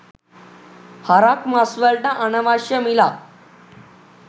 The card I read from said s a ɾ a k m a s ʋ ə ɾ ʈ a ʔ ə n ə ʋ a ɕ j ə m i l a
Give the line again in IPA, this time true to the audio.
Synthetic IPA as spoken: h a ɾ a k m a s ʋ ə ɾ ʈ a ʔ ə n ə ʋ a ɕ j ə m i l a